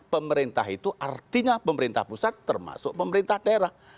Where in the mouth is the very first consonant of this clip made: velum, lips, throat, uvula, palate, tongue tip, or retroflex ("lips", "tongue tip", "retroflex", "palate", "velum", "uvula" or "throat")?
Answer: lips